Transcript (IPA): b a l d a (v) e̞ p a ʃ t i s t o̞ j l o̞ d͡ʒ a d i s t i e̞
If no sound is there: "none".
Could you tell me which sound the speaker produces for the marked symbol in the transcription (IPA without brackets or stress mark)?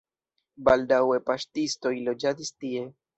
w